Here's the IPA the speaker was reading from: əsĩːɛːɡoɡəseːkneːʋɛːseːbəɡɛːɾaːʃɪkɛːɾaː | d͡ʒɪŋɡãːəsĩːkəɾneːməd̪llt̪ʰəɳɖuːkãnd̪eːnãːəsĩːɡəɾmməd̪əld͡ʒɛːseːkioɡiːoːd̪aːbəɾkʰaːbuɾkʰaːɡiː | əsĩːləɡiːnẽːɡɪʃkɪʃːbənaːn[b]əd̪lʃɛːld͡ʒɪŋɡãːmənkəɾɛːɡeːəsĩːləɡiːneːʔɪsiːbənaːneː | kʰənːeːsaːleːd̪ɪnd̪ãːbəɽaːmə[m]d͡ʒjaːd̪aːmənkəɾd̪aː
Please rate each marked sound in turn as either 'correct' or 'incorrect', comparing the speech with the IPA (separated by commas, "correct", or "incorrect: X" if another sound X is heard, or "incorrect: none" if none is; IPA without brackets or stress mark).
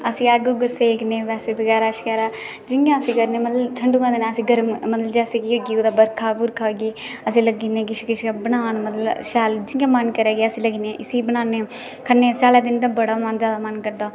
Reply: incorrect: m, incorrect: n